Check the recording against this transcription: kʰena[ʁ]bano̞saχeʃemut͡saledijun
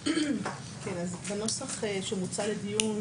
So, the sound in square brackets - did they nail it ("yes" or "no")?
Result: no